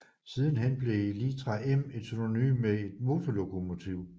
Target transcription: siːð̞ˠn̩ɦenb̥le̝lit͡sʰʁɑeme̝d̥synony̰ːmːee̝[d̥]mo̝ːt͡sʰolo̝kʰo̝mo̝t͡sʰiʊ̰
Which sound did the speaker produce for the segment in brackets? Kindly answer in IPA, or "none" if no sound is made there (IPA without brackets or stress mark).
d̥